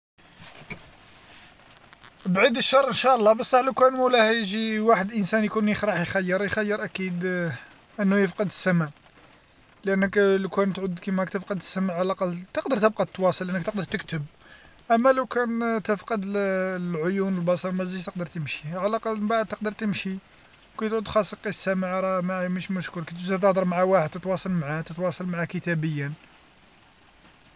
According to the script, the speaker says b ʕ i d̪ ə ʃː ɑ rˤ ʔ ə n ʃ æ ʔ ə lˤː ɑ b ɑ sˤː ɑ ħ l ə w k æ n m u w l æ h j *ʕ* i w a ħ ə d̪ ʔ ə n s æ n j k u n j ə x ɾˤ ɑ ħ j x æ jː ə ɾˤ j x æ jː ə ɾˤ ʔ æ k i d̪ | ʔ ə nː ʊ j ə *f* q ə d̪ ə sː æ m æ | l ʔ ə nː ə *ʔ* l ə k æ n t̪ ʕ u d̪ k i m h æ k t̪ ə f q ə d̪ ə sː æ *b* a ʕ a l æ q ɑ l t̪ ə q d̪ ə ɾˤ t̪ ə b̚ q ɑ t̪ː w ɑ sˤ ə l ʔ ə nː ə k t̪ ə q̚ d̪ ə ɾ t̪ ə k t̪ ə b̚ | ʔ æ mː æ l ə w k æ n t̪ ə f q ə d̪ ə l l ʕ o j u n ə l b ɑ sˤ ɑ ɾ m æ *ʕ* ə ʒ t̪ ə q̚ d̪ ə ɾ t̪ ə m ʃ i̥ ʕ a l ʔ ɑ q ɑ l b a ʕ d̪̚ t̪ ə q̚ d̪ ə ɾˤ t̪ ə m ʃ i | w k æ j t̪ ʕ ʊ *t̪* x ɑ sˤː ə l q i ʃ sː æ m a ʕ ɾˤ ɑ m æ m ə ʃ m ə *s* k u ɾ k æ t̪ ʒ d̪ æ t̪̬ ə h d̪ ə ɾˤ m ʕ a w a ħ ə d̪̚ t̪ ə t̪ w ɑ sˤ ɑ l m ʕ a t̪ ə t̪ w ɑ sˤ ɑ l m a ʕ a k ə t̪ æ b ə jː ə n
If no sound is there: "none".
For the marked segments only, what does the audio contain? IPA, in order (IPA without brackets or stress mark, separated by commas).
ʒ, f, k, m, z, d̪, ʃ